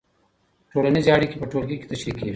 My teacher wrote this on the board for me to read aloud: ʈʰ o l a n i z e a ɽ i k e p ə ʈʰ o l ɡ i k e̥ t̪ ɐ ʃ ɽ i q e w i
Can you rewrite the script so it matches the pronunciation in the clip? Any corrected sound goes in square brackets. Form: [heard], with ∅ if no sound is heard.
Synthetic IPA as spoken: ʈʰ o l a n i z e a ɽ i k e p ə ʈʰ o l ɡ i k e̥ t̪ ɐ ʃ [ɾ] i [k] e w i